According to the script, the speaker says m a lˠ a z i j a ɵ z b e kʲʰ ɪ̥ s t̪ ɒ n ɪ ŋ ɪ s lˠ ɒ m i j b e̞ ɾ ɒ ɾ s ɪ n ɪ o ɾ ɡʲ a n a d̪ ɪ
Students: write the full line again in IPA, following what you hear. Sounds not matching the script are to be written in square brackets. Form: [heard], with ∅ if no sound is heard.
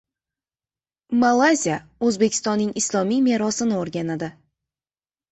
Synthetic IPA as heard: m a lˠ a z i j a ɵ z b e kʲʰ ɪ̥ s t̪ ɒ [nː] ɪ ŋ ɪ s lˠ ɒ m i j [m] e̞ ɾ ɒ [∅] s ɪ n ɪ o ɾ ɡʲ a n a d̪ ɪ